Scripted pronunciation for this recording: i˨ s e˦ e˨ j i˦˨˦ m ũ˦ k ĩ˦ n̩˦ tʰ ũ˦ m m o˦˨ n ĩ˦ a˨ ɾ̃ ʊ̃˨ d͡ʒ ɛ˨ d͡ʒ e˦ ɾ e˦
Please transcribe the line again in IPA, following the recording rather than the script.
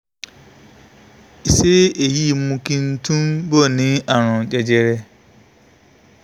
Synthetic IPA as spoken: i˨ s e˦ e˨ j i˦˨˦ m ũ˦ k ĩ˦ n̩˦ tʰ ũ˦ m b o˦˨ n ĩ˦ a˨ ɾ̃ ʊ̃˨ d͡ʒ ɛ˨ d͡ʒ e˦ ɾ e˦